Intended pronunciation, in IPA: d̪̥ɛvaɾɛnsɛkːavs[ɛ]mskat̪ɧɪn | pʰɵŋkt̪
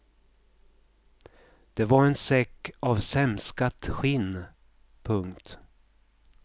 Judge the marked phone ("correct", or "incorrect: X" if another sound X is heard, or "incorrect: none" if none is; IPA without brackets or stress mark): correct